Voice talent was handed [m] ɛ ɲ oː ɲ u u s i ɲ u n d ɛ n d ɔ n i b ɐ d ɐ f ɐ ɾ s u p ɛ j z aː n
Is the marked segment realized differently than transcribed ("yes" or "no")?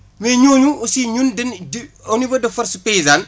no